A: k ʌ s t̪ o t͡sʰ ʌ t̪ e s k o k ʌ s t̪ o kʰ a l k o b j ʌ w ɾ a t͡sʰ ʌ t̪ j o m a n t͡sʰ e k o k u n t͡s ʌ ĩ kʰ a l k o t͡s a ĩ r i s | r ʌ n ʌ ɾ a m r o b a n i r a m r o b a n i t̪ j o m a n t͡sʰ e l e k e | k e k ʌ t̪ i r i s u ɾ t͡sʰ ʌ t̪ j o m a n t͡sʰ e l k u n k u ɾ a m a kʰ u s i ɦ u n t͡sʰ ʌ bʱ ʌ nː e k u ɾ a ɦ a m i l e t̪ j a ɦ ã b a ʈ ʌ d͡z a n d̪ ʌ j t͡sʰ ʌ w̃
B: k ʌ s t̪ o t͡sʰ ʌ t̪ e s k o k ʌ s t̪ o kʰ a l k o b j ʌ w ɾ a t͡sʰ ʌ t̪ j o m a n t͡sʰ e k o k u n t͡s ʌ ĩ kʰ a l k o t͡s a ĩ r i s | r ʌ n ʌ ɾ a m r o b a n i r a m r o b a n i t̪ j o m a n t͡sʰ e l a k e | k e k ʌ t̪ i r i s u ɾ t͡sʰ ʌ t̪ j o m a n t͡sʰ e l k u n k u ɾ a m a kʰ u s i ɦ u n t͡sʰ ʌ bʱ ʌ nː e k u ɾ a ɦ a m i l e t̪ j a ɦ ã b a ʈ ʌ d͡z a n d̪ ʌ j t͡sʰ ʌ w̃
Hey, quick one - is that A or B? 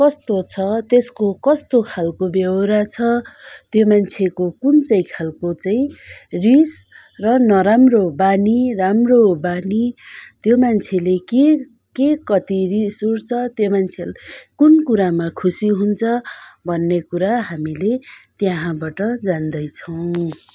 A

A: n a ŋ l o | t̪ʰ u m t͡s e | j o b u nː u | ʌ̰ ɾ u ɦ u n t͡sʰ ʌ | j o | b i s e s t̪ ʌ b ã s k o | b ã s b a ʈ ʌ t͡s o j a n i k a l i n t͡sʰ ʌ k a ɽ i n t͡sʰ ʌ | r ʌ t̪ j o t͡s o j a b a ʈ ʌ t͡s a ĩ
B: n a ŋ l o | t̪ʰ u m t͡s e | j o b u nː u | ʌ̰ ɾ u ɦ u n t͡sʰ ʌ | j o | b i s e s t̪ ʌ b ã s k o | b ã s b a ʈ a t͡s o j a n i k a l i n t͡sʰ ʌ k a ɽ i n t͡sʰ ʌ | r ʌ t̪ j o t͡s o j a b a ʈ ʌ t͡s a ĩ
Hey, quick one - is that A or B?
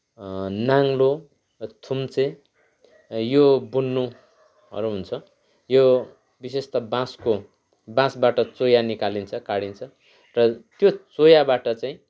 A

